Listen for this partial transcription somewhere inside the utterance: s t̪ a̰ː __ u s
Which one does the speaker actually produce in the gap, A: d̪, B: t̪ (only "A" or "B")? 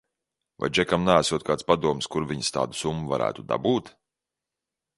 A